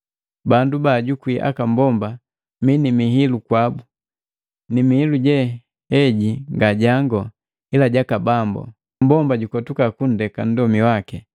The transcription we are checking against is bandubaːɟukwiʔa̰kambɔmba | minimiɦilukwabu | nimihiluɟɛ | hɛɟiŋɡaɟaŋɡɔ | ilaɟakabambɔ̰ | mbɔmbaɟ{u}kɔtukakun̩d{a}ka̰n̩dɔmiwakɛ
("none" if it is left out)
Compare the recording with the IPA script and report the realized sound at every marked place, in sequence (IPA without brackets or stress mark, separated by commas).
u, ɛ